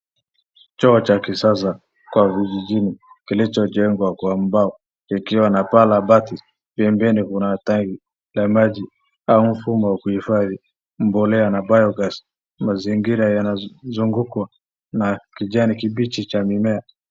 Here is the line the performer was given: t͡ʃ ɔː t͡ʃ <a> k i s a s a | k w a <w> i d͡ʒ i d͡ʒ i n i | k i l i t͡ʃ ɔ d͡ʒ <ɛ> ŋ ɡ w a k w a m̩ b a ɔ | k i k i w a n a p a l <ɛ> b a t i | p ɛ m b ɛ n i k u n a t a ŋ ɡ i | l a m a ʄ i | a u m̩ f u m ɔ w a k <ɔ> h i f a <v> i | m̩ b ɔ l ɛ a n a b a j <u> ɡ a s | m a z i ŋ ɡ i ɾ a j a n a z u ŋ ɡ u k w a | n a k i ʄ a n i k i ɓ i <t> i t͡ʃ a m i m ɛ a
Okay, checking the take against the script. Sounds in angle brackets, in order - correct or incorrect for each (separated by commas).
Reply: correct, incorrect, correct, incorrect, incorrect, incorrect, incorrect, incorrect